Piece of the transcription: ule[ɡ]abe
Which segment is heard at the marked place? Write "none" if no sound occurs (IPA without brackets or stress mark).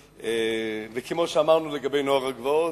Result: ɡ